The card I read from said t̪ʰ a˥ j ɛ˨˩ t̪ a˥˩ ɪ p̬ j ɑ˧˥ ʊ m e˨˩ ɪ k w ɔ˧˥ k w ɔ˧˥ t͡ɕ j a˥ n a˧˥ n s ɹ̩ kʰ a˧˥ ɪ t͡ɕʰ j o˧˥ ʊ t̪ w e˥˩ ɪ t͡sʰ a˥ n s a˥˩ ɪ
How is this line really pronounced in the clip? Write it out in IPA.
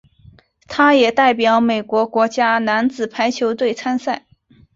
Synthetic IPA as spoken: t̪ʰ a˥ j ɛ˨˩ t̪ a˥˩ ɪ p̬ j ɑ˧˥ ʊ m e˨˩ ɪ k w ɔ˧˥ k w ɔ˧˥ t͡ɕ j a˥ n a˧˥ n t͡s ɹ̩ pʰ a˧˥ ɪ t͡ɕʰ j o˧˥ ʊ t̪ w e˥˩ ɪ t͡sʰ a˥ n s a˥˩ ɪ